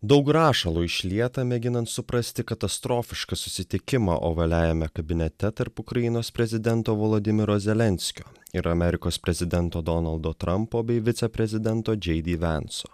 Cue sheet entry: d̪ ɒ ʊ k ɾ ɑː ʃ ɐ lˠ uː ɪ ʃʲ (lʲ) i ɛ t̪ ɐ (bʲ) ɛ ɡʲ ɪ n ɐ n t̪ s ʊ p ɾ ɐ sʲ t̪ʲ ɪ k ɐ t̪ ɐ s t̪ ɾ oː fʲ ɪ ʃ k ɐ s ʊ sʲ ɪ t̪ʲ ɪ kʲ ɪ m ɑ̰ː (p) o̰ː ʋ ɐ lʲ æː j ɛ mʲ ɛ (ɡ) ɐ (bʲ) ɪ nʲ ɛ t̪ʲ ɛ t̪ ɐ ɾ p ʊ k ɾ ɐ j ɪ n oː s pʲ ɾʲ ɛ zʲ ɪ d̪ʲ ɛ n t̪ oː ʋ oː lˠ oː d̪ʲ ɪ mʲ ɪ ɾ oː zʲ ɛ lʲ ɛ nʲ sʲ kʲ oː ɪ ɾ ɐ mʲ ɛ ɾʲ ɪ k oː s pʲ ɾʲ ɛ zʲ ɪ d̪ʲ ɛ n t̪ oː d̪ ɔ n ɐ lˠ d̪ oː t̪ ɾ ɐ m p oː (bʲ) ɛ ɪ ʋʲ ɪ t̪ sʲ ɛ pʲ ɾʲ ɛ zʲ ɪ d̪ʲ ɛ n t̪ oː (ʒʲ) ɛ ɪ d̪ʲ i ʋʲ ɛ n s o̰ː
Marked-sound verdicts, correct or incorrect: correct, incorrect: mʲ, incorrect: ʔ, incorrect: k, correct, correct, incorrect: d͡ʒʲ

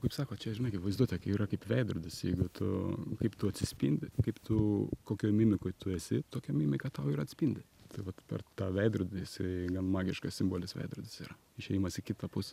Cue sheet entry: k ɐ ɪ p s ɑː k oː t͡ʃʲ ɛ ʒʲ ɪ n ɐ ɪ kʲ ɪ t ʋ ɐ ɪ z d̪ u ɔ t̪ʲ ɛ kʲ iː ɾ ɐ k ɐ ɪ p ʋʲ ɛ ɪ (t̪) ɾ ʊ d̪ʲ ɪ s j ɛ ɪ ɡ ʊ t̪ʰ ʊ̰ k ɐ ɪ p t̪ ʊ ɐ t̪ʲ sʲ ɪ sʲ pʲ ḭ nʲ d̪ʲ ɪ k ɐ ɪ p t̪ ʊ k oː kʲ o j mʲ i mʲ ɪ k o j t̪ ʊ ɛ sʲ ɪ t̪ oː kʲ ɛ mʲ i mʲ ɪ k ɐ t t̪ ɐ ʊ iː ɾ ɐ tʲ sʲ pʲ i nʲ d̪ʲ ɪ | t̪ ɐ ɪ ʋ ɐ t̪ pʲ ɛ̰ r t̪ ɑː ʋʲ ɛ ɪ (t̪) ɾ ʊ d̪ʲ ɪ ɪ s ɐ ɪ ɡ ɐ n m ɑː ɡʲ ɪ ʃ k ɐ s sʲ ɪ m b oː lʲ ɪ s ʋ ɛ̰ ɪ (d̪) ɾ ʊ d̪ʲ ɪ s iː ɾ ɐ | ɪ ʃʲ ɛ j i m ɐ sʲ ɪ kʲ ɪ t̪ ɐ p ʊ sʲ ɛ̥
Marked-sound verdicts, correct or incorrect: incorrect: d̪, incorrect: d̪, correct

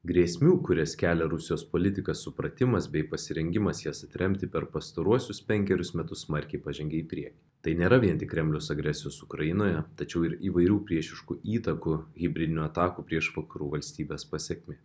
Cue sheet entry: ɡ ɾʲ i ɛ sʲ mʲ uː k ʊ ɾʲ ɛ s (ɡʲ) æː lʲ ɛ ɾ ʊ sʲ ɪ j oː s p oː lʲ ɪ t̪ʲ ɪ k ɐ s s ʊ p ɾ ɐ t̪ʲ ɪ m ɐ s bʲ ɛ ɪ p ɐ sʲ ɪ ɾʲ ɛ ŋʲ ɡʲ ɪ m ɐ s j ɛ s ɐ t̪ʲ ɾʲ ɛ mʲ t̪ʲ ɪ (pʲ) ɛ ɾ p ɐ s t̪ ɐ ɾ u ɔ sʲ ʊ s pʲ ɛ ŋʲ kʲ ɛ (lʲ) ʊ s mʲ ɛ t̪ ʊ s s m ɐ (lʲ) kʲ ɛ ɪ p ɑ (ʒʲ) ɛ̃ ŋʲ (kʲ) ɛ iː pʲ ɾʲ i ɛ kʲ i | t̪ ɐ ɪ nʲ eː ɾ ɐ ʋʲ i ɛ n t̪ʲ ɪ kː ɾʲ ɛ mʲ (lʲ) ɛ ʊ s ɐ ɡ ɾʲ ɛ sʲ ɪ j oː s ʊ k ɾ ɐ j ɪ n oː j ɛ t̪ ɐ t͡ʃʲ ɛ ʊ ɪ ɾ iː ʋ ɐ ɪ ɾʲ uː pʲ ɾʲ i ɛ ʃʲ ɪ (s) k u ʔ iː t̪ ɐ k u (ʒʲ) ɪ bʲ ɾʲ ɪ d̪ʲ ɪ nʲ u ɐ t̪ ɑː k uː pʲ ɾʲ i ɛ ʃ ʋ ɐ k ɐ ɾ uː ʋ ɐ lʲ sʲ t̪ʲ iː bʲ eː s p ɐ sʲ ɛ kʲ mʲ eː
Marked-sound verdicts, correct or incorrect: incorrect: kʲ, correct, incorrect: ɾʲ, incorrect: ɾʲ, correct, incorrect: ɡʲ, correct, incorrect: ʃ, incorrect: ɣʲ

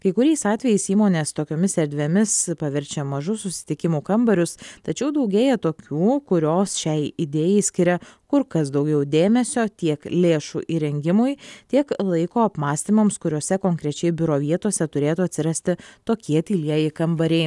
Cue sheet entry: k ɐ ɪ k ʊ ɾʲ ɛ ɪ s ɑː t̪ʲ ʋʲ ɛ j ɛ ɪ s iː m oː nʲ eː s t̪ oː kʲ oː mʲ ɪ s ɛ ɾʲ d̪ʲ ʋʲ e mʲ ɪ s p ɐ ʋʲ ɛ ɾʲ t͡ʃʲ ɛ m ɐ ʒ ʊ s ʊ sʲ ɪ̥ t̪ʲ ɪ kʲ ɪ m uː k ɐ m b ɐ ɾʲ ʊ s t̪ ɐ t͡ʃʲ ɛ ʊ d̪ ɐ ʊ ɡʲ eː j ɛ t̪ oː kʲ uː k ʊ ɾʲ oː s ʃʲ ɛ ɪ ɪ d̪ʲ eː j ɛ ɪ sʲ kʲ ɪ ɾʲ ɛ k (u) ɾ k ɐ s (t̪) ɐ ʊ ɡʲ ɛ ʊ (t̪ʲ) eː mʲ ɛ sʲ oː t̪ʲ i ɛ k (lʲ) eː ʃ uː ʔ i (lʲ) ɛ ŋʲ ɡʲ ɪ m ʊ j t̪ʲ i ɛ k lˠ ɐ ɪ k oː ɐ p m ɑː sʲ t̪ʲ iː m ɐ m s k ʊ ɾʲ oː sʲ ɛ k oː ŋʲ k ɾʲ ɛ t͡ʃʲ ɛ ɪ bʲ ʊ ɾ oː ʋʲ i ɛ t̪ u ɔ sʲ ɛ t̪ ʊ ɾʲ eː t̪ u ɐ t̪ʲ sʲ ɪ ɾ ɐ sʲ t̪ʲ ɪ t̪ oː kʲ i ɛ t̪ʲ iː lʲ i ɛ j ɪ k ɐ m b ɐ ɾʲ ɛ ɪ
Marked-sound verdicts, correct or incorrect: incorrect: ʊ, incorrect: d̪, incorrect: d̪ʲ, correct, incorrect: ɾʲ

